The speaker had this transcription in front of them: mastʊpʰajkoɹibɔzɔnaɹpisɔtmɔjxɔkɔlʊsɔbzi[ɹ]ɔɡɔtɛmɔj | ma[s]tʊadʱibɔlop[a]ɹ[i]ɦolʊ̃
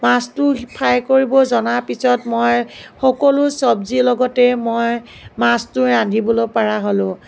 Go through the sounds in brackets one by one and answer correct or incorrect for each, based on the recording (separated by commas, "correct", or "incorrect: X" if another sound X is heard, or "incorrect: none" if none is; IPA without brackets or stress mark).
incorrect: l, correct, correct, incorrect: a